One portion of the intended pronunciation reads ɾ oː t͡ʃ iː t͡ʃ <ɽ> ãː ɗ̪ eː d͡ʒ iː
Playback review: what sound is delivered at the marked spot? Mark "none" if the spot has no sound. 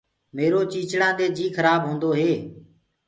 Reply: ɽ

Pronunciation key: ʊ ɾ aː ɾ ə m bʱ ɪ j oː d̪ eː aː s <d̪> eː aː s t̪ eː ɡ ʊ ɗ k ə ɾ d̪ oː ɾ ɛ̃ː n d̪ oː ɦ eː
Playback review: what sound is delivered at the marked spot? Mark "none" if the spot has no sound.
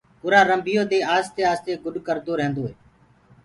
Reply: t̪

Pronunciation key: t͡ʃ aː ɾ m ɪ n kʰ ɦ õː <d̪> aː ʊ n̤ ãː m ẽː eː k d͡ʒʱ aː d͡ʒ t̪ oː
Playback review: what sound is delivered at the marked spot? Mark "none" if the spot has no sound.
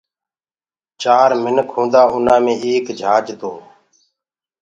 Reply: d̪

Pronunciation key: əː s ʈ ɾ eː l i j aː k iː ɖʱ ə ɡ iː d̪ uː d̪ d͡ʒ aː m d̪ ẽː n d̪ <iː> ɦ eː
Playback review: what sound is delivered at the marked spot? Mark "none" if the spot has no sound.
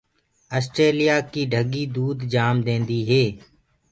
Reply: iː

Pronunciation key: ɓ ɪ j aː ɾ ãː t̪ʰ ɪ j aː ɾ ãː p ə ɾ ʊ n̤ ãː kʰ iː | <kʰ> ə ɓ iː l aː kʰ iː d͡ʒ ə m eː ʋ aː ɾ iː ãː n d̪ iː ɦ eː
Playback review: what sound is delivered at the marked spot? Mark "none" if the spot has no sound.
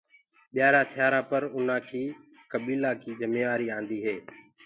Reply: k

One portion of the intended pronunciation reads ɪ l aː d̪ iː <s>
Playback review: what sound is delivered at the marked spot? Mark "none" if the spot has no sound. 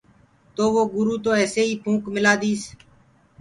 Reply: s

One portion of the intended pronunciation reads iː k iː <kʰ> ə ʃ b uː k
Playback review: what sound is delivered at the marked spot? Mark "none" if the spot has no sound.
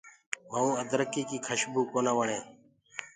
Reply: kʰ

